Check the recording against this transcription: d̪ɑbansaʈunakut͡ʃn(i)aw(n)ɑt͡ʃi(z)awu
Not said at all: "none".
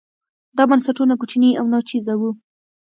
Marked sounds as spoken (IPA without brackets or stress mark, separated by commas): i, n, z